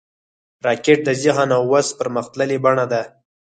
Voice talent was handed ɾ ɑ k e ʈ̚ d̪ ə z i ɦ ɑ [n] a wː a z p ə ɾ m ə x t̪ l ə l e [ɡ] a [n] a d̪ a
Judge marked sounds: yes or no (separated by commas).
yes, no, no